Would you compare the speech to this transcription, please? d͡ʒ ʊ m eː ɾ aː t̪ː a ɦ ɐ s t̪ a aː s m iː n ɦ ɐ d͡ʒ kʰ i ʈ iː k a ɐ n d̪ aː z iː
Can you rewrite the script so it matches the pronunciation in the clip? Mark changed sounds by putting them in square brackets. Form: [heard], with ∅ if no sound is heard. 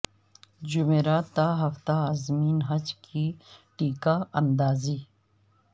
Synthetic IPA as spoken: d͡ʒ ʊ m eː ɾ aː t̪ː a ɦ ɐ [f] t̪ a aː [z] m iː n ɦ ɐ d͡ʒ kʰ i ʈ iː k a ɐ n d̪ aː z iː